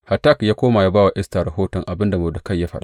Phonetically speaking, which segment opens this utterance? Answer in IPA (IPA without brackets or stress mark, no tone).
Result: h